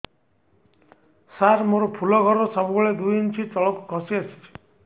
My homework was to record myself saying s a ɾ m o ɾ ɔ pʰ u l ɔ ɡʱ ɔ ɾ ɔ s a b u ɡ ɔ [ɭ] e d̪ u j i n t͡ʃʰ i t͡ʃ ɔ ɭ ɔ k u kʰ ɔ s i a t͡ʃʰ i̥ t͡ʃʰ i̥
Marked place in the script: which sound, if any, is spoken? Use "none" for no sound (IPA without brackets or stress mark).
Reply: ɭ